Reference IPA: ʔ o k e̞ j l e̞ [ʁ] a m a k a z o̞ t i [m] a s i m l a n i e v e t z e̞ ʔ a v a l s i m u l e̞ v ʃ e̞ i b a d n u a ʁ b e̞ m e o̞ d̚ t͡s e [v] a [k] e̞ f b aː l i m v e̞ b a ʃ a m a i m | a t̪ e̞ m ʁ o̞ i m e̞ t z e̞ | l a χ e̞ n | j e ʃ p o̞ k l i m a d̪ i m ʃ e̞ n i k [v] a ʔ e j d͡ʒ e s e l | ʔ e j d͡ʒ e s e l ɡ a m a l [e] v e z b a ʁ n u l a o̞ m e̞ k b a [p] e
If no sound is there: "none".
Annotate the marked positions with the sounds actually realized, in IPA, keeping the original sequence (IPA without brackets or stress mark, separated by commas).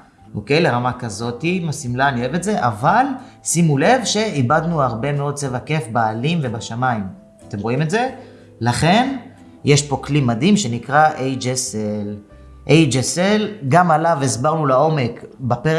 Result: ʁ, m, v, k, ʁ, a, p